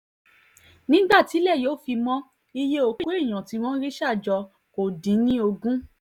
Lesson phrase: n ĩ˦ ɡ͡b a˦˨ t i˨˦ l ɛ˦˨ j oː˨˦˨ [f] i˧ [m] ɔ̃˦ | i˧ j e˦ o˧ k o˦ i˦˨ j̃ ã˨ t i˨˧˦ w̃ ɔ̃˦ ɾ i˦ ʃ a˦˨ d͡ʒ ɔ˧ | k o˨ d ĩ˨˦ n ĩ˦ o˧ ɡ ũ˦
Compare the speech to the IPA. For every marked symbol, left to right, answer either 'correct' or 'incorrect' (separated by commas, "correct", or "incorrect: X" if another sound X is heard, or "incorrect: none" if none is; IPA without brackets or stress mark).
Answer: correct, correct